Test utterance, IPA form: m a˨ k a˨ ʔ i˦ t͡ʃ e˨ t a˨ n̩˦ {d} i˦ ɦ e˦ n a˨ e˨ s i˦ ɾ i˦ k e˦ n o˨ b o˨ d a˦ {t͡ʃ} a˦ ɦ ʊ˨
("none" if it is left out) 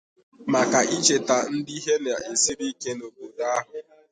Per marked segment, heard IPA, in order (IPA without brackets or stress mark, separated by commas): d, none